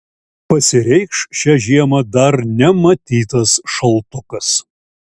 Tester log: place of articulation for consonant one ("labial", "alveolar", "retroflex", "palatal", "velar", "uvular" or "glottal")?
labial